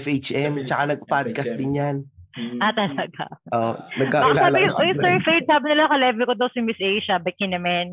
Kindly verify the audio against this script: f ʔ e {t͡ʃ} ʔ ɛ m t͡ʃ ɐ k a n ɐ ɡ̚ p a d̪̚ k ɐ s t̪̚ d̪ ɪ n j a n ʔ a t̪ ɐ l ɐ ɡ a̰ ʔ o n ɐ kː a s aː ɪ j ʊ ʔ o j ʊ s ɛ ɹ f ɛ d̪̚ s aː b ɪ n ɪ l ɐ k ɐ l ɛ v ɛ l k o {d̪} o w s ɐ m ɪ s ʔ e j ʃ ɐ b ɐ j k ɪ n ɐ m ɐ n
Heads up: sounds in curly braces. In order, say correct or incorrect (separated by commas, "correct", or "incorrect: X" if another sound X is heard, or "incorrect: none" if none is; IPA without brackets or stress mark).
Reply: correct, correct